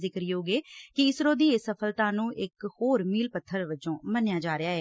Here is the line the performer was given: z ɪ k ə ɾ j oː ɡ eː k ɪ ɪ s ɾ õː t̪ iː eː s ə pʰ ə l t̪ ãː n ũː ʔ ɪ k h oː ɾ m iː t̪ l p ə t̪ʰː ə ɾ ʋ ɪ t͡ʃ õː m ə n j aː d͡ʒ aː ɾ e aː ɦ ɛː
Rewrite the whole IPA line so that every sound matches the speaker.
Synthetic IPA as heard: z ɪ k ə ɾ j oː ɡ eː k ɪ ɪ s ɾ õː d̪ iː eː s ə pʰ ə l t̪ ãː n ũː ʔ ɪ k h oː ɾ m iː l p ə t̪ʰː ə ɾ ʋ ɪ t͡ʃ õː m ə n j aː d͡ʒ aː ɾ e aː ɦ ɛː